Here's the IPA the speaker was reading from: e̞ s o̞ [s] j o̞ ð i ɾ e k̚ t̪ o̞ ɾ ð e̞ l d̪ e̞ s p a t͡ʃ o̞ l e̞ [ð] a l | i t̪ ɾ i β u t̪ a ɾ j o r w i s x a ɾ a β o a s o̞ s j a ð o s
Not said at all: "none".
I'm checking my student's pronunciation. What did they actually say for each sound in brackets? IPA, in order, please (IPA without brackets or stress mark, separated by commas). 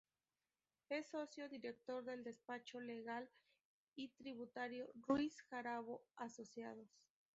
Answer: s, ɣ